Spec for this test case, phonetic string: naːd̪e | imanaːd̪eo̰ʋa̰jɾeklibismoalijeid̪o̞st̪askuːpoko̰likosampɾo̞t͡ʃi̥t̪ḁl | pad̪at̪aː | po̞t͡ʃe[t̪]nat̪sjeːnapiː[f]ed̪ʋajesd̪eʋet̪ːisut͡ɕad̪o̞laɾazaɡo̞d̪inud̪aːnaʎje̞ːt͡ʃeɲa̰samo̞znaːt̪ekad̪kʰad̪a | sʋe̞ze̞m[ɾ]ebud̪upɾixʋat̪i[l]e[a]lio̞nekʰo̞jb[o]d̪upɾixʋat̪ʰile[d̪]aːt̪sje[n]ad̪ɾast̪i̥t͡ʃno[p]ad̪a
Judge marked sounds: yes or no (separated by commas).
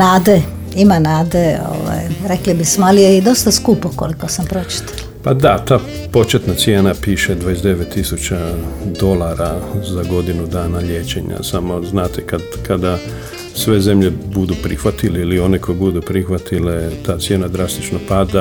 yes, no, no, yes, no, no, no, yes, yes